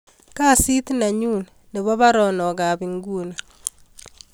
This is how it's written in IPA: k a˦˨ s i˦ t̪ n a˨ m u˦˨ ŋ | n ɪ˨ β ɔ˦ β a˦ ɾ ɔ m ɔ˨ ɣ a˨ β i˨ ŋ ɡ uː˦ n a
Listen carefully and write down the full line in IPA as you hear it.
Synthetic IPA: k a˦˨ s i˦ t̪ n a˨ ɲ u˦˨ n | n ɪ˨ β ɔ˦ β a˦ ɾ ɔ n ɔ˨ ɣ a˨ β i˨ ŋ ɡ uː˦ n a